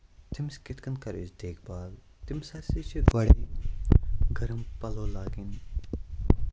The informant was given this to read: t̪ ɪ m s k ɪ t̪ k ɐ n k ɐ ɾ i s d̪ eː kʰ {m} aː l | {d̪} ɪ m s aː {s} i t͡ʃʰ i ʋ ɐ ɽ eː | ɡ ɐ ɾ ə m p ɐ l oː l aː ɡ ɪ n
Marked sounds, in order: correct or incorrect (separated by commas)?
incorrect, incorrect, correct